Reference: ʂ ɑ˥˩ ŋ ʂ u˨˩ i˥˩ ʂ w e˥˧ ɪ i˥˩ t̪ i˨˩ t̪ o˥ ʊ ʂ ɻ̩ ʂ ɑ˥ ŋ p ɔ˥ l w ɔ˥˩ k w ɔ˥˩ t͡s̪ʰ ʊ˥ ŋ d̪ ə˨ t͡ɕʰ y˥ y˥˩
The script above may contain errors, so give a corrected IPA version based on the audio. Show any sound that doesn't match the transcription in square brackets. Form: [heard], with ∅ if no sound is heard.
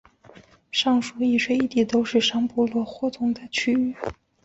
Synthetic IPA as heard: ʂ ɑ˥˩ ŋ ʂ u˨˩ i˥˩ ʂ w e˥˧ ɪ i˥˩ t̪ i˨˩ t̪ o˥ ʊ ʂ ɻ̩ ʂ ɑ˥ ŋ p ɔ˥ l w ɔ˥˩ [x] w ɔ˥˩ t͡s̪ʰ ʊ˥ ŋ d̪ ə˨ t͡ɕʰ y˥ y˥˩